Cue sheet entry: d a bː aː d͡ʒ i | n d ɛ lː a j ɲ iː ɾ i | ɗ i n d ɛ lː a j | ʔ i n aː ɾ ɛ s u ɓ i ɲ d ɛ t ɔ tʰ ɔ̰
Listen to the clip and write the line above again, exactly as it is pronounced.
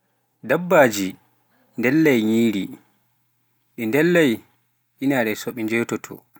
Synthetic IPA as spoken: d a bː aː d͡ʒ i | n d ɛ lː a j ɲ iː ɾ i | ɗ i n d ɛ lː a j | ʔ i n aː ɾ ɛ s o ɓ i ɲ d͡ʒ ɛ t ɔ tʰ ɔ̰